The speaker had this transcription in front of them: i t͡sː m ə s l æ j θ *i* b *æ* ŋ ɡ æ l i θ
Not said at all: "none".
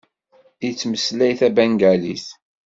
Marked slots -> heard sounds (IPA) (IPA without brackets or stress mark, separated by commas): æ, æ